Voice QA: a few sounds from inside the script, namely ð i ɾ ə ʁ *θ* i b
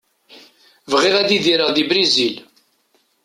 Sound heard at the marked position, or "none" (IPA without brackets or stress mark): ð